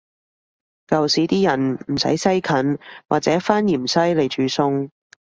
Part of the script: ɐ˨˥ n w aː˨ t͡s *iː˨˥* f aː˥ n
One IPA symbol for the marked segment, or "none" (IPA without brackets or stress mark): ɛː˨˥